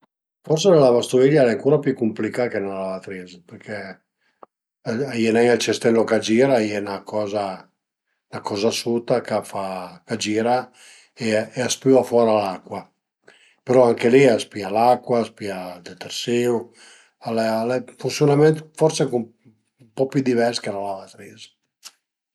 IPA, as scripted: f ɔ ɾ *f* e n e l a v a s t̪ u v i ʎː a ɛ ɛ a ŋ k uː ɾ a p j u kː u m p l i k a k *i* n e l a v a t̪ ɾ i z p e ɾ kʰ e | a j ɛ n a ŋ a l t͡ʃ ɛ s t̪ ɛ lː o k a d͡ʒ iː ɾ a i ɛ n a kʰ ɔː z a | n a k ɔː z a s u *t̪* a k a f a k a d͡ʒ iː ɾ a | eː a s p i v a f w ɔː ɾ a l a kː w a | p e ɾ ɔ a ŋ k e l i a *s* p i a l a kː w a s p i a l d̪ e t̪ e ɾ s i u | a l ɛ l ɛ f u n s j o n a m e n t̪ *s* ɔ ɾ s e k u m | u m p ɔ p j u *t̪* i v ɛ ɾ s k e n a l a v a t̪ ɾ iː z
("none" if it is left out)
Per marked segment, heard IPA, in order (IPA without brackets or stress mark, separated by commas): s, e, t̪, s, f, d̪